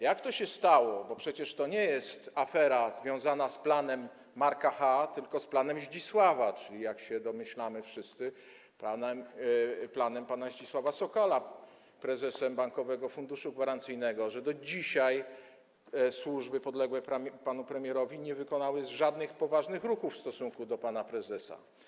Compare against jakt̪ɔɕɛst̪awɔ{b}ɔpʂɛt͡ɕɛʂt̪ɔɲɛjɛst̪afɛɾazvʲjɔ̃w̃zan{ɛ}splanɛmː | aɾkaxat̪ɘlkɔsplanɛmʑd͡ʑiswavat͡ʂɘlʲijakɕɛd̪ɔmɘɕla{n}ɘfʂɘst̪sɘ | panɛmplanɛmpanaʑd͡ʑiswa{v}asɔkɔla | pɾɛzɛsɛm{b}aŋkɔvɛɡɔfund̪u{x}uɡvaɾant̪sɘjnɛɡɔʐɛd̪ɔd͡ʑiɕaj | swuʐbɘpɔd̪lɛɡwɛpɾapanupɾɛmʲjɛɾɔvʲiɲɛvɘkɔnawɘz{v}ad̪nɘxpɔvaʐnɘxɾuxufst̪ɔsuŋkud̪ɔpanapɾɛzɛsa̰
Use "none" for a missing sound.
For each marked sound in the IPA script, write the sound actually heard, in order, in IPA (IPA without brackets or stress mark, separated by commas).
b, a, m, v, b, ʂ, ʐ